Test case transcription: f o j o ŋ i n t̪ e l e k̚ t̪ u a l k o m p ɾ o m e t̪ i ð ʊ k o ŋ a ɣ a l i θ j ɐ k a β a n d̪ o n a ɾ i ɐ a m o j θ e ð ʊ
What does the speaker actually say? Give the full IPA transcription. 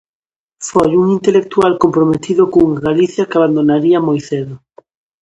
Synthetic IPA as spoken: f o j u ŋ i n t̪ e l e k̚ t̪ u a l k o m p ɾ o m e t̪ i ð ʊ k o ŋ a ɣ a l i θ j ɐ k a β a n d̪ o n a ɾ i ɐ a m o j θ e ð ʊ

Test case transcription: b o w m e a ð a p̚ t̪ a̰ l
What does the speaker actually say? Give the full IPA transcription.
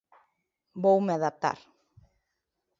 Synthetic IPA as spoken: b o w m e a ð a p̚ t̪ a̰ ɾ

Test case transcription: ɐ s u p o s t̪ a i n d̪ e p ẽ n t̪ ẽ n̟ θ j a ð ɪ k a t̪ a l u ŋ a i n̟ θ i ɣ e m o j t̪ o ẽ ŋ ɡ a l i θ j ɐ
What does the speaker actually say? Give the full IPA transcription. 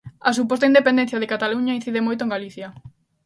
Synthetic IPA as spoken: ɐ s u p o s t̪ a i n d̪ e p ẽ n d̪ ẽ n̟ θ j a ð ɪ k a t̪ a l u ɲ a i n̟ θ i ð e m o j t̪ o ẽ ŋ ɡ a l i θ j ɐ

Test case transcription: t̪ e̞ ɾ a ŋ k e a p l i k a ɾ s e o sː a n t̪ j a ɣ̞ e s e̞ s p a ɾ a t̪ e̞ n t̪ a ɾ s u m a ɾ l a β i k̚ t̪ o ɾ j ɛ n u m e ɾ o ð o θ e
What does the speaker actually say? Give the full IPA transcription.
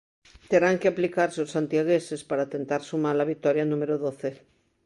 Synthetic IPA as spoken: t̪ e̞ ɾ a ŋ k e a p l i k a ɾ s e o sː a n t̪ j a ɣ̞ e s e̞ s p a ɾ a t̪ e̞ n t̪ a ɾ s u m a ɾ l a β i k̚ t̪ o ɾ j a n u m e ɾ o ð o θ e

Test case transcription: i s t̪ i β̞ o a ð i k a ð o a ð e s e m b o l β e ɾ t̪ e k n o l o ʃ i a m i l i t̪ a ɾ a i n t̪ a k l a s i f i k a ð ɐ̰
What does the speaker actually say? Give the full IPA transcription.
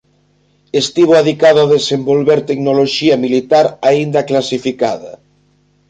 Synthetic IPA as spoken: e s t̪ i β̞ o a ð i k a ð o a ð e s e m b o l β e ɾ t̪ e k n o l o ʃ i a m i l i t̪ a ɾ a i n d̪ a k l a s i f i k a ð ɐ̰

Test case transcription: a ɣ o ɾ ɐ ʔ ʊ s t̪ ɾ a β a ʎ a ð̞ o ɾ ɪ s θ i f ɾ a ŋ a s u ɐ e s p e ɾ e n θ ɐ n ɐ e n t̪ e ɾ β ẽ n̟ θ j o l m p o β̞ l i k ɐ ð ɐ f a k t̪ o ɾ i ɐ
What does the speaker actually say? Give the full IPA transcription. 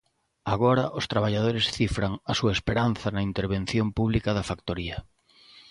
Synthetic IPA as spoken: a ɣ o ɾ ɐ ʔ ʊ s t̪ ɾ a β a ʎ a ð̞ o ɾ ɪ s θ i f ɾ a ŋ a s u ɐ e s p e ɾ a n θ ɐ n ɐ i n t̪ e ɾ β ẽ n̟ θ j o m p u β̞ l i k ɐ ð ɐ f a k t̪ o ɾ i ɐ

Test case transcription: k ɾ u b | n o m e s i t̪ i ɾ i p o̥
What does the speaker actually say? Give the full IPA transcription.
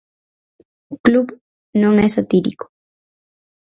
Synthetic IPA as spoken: k l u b | n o ŋ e s a t̪ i ɾ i k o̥

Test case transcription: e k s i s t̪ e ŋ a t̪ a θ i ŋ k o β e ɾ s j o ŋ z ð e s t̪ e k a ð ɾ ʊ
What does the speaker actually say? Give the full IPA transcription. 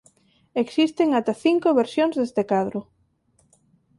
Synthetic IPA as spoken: e k s i s t̪ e ŋ a t̪ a θ i ŋ k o β e ɾ s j o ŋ z ð e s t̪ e k a ð ɾ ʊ

